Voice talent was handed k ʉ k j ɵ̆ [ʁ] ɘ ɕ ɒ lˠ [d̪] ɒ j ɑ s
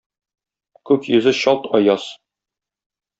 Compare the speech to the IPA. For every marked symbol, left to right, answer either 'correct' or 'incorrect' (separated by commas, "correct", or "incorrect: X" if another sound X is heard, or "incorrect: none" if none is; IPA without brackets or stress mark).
incorrect: z, incorrect: t̪